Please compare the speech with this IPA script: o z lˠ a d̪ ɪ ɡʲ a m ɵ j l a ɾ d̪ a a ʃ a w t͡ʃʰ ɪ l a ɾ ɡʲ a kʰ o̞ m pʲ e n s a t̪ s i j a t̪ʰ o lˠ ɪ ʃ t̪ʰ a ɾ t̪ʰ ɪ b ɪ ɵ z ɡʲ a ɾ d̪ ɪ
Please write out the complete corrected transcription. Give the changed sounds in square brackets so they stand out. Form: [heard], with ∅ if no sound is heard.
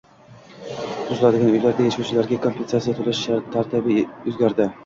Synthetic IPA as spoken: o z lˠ a d̪ ɪ ɡʲ a [n] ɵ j l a ɾ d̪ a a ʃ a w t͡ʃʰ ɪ l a ɾ ɡʲ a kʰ o̞ m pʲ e n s a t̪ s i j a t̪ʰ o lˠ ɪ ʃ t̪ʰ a ɾ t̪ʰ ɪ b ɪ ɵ z ɡʲ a ɾ d̪ ɪ